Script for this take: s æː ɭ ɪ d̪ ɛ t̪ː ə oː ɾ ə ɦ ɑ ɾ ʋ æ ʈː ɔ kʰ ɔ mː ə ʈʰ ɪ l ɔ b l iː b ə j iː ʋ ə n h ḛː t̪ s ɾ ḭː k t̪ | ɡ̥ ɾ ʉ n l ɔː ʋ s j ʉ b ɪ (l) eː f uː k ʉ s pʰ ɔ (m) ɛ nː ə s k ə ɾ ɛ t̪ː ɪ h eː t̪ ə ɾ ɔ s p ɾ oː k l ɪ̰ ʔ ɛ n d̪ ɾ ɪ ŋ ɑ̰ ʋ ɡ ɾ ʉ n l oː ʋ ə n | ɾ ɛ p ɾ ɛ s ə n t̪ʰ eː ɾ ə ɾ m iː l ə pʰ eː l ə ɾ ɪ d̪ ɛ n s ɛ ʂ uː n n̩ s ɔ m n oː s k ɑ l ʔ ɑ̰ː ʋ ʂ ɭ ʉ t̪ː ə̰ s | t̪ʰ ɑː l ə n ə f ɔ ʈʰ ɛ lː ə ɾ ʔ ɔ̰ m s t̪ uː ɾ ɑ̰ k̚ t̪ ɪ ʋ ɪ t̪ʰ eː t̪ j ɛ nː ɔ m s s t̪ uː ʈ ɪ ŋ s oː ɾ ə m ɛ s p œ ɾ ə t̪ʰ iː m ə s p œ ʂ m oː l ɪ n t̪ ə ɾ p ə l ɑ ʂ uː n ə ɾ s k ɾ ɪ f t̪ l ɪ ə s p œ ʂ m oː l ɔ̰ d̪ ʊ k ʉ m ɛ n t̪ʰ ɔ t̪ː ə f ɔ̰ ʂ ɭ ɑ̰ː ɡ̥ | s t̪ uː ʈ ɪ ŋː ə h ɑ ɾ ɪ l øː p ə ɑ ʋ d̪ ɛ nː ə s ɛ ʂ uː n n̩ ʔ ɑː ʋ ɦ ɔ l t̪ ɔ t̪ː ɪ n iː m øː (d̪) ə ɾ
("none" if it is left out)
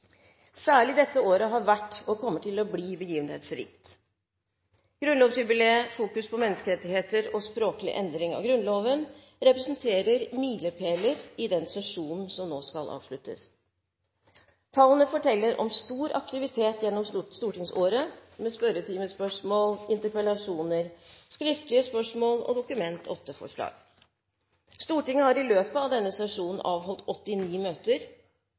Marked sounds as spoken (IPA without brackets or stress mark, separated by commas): l, m, t̪